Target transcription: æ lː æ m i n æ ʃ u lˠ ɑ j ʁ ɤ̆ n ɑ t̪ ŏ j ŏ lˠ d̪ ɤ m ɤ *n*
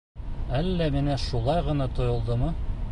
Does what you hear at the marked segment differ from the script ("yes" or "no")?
yes